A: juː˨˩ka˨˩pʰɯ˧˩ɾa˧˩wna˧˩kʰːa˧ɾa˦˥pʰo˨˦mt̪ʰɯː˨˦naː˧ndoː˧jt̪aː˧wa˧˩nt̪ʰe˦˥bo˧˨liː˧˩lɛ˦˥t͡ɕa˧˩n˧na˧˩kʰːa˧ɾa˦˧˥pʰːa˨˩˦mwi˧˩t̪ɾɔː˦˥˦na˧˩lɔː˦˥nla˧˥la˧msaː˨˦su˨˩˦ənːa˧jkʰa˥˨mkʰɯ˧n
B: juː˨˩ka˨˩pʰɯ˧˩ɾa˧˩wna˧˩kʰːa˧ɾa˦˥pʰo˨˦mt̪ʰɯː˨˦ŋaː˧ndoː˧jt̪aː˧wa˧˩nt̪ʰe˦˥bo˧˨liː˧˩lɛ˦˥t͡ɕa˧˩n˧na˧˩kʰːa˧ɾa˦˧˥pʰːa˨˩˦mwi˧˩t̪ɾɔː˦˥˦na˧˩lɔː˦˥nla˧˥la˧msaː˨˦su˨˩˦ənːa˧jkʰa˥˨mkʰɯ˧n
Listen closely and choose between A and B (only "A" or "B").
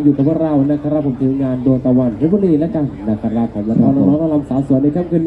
B